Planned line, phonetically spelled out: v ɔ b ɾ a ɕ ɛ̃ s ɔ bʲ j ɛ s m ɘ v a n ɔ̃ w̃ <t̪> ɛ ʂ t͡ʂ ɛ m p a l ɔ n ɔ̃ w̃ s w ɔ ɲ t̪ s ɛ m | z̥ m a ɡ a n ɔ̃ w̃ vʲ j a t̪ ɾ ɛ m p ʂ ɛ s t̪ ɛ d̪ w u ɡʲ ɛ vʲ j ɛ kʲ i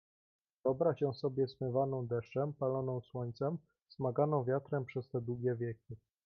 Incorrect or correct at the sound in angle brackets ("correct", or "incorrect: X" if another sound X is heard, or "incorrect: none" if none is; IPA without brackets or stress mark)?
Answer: incorrect: d̪